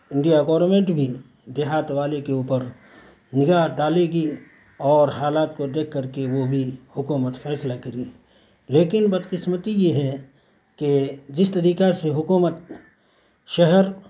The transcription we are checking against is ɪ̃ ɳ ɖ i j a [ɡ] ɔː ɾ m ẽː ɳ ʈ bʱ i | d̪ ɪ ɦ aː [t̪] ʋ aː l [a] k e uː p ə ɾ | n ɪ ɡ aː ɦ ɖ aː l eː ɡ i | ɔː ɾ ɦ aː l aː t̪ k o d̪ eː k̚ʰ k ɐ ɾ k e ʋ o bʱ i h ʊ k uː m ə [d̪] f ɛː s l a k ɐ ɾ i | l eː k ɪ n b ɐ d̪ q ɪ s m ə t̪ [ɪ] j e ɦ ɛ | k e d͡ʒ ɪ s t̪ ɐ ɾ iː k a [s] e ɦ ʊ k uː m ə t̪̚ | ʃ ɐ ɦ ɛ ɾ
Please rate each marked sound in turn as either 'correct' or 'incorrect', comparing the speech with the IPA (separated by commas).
correct, correct, incorrect, incorrect, incorrect, correct